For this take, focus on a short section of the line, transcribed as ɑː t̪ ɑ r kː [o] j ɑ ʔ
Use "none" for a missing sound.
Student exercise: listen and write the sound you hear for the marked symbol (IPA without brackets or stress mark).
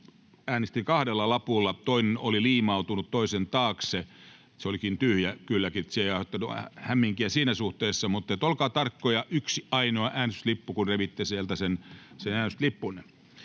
o